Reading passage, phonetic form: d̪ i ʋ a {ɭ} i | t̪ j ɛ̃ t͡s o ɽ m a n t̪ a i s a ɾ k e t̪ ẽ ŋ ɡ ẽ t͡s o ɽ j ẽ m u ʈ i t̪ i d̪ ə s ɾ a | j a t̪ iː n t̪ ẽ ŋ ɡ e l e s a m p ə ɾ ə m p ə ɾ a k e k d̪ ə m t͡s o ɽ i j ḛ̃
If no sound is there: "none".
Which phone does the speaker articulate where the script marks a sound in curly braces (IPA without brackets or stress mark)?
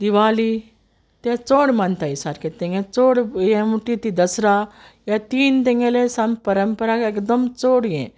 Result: l